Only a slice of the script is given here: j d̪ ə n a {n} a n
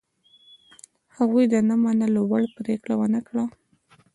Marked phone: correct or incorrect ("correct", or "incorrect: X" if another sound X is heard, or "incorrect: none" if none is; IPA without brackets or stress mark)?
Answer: incorrect: m